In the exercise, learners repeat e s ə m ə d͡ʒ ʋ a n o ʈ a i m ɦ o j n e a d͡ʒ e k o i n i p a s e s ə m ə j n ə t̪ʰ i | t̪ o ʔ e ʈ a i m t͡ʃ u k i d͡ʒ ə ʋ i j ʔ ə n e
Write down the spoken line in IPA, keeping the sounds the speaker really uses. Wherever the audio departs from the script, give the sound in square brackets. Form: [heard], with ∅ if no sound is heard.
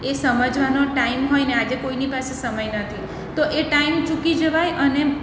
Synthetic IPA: e s ə m ə d͡ʒ ʋ a n o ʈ a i m ɦ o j n e a d͡ʒ e k o i n i p a s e s ə m ə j n ə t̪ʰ i | t̪ o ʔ e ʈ a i m t͡ʃ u k i d͡ʒ ə ʋ [a] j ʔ ə n e